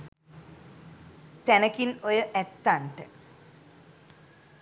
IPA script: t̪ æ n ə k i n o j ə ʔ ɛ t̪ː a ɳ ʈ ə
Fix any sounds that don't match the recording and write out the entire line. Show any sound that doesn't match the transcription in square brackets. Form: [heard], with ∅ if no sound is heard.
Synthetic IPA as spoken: t̪ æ n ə k i n o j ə ʔ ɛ t̪ː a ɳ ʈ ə